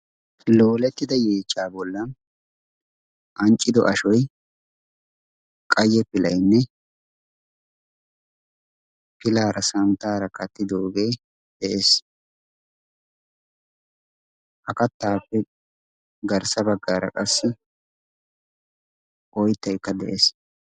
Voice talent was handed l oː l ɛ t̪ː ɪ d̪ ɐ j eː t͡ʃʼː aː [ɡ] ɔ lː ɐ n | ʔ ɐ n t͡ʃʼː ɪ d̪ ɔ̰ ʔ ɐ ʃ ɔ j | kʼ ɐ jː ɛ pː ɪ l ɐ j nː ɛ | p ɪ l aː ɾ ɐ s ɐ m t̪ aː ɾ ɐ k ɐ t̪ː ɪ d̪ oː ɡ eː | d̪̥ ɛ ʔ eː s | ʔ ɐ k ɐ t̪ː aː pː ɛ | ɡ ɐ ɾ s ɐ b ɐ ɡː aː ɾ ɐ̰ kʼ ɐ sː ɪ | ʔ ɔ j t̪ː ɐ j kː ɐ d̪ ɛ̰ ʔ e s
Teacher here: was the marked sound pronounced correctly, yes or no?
no